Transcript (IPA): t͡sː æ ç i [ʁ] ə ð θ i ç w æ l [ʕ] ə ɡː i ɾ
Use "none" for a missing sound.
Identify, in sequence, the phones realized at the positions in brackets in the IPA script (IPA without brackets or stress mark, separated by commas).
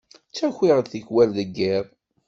ʁ, ð